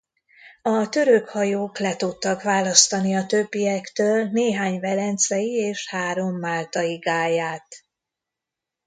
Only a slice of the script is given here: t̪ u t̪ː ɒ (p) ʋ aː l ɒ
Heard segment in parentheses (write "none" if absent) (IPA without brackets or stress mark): k